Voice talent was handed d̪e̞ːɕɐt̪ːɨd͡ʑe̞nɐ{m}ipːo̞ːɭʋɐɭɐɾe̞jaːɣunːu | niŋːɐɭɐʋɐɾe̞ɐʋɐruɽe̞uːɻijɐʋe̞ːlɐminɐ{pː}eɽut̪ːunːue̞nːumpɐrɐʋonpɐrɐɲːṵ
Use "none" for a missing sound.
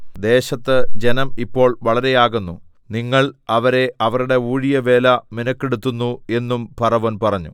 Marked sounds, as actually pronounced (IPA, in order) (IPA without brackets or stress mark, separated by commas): m, kː